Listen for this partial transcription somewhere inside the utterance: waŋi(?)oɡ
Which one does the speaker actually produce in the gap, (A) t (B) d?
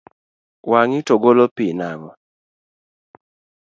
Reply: A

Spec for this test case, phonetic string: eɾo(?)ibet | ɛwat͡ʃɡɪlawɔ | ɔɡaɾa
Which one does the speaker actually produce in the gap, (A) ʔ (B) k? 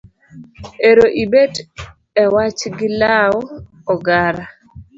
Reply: A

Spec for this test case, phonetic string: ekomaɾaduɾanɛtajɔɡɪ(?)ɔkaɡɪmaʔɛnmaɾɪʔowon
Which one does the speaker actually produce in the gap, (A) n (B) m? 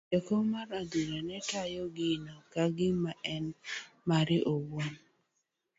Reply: A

